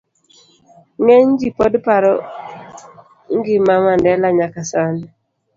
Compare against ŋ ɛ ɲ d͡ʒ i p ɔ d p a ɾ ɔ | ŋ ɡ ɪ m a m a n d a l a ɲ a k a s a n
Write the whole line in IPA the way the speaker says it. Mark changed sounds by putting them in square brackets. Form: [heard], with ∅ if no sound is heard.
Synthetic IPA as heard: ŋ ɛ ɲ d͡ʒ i p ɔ d p a ɾ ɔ | ŋ ɡ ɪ m a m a n d [ɛ] l a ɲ a k a s a n